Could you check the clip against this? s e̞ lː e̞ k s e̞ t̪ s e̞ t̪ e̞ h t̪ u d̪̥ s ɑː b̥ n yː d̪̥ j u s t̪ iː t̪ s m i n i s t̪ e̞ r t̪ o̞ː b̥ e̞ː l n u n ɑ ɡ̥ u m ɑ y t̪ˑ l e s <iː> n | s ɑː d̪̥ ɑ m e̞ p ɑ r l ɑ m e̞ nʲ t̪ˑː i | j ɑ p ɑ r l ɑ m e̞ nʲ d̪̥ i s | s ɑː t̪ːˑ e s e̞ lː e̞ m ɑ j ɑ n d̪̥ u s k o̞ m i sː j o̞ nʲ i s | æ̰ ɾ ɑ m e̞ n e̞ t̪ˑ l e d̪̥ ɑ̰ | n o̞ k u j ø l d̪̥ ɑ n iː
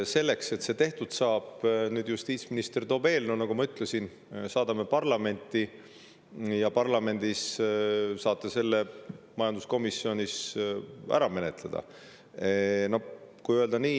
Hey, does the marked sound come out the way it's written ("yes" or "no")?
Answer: no